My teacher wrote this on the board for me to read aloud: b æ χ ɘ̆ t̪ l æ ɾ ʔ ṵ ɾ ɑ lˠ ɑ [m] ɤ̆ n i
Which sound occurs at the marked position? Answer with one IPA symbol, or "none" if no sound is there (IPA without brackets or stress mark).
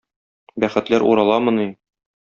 m